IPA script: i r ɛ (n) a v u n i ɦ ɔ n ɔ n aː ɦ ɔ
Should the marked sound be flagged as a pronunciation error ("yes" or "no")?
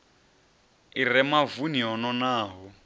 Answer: yes